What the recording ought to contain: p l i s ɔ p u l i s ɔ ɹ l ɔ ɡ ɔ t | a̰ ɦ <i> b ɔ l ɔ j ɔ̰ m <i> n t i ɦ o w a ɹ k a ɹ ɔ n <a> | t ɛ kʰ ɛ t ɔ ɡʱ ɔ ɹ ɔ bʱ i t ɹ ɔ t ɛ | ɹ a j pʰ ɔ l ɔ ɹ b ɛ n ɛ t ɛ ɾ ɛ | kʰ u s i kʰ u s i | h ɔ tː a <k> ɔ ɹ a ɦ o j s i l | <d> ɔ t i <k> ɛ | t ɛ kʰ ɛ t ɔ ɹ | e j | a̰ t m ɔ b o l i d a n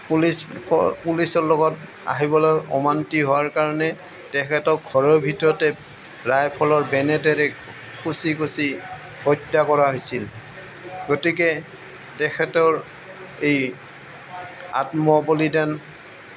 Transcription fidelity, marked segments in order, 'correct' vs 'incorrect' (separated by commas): correct, incorrect, incorrect, correct, incorrect, correct